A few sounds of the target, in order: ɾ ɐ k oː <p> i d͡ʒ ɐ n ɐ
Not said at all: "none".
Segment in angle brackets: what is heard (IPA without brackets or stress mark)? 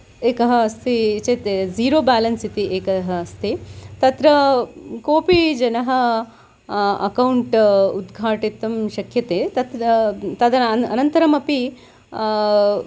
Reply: p